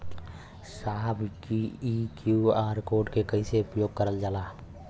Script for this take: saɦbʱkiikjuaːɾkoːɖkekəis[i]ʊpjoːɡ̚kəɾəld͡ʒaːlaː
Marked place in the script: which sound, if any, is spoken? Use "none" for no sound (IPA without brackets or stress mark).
e